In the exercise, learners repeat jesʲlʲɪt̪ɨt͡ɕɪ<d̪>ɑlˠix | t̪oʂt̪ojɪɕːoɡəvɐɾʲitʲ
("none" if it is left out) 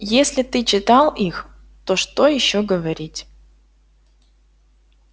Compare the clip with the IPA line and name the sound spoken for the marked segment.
t̪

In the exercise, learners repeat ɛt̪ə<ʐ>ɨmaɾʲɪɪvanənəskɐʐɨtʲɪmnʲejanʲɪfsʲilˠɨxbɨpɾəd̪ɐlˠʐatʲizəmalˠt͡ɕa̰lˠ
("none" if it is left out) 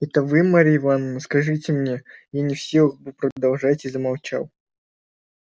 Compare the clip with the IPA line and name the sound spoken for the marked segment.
v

